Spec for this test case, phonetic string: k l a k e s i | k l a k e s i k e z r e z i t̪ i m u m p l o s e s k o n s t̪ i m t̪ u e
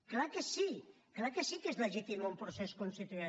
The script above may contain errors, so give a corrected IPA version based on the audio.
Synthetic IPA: k l a k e s i | k l a k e s i k e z l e ʒ i t̪ i m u m p ɾ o s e s k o n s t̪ i t̪ u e